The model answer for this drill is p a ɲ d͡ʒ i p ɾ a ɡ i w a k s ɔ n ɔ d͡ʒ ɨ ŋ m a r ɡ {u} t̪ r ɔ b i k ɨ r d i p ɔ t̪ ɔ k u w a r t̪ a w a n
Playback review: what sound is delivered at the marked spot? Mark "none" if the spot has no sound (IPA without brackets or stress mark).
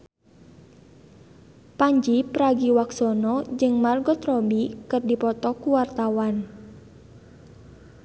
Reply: ɔ